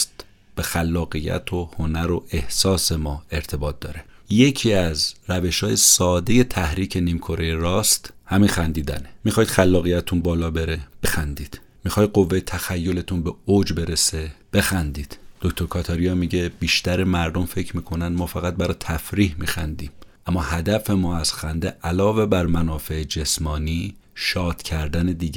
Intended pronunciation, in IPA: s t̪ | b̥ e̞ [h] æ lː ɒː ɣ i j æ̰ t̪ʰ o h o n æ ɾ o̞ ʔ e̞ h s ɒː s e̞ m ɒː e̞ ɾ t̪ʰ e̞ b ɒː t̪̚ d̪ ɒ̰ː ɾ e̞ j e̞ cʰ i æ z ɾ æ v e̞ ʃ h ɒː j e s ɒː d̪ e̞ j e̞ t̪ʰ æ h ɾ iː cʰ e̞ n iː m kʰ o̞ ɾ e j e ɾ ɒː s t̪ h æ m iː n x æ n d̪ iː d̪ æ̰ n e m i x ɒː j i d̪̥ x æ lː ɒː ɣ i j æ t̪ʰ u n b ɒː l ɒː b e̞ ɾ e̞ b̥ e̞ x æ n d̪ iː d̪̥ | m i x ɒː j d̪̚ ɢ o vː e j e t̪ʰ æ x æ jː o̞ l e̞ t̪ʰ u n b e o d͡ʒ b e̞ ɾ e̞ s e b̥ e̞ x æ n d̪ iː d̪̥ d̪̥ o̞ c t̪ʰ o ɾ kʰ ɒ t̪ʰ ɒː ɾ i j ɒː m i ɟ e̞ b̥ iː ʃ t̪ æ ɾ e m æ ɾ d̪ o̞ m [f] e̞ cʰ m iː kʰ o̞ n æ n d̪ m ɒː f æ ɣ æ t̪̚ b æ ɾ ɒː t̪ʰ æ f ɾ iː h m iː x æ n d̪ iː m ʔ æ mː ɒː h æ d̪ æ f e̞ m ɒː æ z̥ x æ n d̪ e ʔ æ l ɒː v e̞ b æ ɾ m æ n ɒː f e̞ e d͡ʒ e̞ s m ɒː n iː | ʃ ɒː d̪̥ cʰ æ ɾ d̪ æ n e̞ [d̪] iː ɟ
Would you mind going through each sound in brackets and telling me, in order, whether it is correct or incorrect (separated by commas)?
incorrect, correct, correct